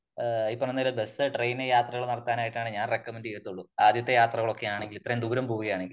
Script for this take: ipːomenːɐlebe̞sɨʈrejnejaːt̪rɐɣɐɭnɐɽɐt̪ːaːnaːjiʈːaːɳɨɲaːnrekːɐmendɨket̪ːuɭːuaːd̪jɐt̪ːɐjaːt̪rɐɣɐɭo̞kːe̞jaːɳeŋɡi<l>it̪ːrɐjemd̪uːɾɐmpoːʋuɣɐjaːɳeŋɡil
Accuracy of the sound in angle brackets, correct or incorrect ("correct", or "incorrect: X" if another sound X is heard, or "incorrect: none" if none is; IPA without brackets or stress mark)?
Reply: correct